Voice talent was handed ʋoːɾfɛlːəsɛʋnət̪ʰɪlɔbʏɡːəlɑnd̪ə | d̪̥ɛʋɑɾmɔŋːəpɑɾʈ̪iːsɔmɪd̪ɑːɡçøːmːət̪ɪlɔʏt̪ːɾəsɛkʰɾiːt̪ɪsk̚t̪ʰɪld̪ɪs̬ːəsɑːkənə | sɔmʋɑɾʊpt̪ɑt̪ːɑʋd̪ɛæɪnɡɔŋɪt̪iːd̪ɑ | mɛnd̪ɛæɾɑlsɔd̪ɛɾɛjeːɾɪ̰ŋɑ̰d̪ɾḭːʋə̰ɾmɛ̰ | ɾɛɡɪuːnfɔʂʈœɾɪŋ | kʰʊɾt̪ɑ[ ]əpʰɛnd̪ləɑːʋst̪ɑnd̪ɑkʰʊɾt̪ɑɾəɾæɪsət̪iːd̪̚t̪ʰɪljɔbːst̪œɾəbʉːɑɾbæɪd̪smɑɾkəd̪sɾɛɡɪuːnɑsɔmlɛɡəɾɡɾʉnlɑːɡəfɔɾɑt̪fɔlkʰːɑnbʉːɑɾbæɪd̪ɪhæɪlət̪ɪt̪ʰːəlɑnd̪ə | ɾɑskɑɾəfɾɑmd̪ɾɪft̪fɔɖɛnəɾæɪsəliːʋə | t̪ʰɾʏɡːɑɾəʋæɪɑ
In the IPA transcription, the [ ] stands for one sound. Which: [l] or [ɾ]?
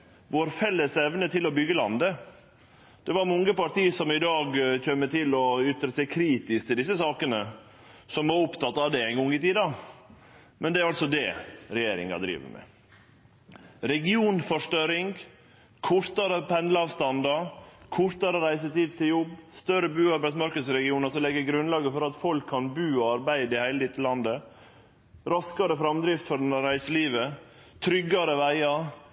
ɾ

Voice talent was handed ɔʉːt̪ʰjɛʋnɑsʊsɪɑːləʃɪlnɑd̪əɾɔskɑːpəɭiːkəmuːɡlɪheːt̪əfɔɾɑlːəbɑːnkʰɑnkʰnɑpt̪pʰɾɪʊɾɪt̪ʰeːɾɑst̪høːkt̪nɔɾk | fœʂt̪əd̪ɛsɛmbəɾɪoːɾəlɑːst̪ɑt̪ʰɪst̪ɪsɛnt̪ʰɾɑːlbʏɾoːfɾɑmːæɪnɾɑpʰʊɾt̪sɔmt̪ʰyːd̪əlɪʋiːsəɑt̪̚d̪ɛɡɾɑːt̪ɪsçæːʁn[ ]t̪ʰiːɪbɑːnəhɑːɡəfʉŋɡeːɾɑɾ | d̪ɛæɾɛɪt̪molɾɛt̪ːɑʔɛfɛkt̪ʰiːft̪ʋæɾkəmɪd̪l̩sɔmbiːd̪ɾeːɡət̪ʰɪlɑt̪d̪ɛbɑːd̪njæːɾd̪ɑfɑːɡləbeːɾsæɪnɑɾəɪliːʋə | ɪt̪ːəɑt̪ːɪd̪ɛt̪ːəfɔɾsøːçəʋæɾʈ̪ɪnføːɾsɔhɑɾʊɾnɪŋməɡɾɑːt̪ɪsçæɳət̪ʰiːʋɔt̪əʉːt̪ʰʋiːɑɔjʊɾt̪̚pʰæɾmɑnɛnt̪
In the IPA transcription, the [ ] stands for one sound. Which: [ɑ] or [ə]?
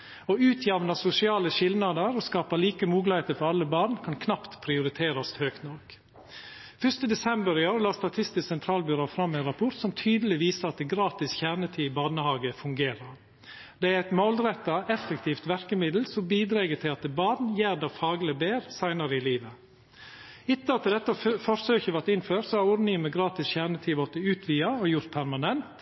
ə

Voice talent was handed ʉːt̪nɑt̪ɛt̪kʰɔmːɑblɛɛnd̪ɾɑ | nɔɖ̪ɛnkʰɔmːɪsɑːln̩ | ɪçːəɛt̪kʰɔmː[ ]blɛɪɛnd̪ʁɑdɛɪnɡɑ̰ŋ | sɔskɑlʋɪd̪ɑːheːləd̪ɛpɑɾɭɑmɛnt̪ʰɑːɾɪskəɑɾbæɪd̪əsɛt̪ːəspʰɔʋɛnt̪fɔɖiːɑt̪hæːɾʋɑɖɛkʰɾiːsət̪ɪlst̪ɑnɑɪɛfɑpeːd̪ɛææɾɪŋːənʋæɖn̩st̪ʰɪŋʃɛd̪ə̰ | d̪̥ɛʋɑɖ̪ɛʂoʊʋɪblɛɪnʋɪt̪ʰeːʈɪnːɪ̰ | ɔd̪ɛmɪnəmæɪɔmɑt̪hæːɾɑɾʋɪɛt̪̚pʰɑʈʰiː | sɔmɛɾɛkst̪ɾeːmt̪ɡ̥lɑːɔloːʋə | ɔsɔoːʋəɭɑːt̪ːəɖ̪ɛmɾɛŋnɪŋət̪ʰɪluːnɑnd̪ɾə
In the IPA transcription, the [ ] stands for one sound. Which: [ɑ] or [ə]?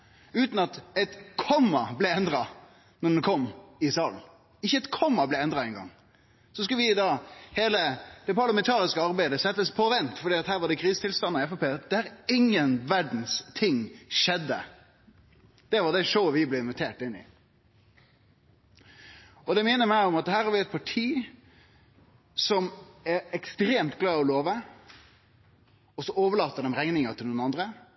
ɑ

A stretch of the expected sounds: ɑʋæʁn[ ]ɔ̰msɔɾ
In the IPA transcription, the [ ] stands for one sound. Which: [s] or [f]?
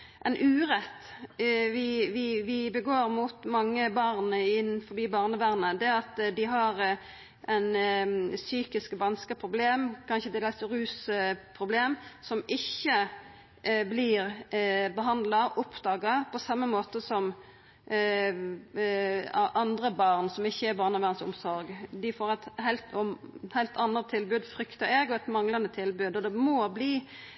s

